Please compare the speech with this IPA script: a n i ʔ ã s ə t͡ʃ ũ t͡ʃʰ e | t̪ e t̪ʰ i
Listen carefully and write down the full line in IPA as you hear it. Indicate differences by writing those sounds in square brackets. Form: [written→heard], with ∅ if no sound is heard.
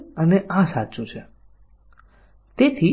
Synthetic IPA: [a→ə] n [i→e] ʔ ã s [ə→a] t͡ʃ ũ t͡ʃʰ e | t̪ e t̪ʰ i